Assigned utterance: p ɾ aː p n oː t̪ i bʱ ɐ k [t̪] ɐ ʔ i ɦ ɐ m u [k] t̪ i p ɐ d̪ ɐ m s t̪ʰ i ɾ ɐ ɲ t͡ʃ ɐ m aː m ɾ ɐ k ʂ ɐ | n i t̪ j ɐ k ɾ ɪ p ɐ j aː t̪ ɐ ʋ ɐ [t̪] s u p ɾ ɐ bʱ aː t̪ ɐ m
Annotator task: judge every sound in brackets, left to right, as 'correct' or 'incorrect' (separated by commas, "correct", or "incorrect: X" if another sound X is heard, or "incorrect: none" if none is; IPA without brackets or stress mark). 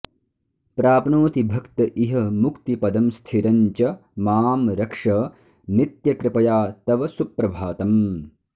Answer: correct, correct, incorrect: none